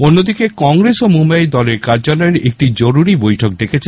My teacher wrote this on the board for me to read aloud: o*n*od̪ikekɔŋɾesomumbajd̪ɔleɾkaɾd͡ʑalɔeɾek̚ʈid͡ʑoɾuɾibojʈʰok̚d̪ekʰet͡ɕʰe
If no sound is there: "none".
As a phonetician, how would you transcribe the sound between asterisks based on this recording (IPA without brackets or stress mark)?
nː